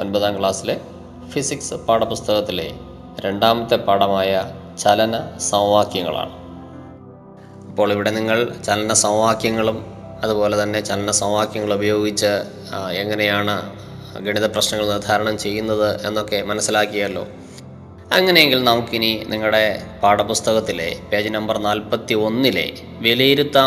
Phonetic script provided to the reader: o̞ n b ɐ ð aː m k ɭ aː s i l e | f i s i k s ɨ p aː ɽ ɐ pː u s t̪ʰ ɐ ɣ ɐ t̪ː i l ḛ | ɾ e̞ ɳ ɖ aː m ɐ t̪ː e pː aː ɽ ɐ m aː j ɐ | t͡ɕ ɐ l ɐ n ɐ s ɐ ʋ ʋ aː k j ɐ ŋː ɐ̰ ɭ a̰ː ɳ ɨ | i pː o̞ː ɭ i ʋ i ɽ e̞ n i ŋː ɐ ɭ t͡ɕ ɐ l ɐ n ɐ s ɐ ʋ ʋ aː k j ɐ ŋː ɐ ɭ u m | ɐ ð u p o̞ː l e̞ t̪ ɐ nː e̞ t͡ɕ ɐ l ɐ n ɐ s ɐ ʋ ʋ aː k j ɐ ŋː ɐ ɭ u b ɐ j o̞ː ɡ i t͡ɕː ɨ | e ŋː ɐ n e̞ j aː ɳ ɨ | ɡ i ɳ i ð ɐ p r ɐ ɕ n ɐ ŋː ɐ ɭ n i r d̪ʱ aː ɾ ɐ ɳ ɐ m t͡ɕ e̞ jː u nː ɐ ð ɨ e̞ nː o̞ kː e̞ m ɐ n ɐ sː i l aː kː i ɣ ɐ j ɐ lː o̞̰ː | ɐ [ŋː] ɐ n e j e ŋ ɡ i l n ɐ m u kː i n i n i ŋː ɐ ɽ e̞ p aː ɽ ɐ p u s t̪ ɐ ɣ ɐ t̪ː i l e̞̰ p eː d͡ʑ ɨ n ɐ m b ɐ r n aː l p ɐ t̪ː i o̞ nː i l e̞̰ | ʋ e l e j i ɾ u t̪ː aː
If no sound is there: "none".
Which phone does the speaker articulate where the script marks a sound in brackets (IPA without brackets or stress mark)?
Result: ŋː